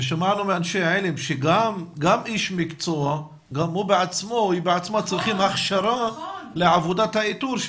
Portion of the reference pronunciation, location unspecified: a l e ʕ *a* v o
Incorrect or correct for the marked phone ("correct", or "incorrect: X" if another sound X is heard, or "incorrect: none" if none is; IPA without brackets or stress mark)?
correct